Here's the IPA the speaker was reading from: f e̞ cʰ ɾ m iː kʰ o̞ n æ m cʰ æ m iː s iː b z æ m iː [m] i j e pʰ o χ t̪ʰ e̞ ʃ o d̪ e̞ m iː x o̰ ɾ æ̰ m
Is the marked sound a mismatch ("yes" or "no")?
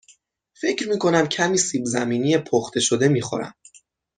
yes